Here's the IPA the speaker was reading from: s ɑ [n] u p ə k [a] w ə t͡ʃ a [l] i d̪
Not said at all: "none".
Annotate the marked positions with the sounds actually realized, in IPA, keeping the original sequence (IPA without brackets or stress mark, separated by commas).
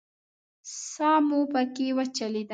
m, e, l